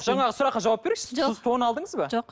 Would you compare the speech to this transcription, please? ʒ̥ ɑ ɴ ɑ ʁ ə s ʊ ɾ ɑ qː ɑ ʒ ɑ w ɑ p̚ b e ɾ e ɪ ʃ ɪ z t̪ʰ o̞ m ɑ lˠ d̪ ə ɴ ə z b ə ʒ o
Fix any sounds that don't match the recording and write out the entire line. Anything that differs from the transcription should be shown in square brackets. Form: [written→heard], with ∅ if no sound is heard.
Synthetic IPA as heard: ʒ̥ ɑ ɴ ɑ ʁ ə s ʊ ɾ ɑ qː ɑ ʒ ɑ w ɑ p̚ b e ɾ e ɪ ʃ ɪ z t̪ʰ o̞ [m→n] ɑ lˠ d̪ ə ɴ ə z b [ə→ɑ] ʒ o